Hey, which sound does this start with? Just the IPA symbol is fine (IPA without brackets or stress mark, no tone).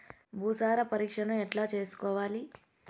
bʱ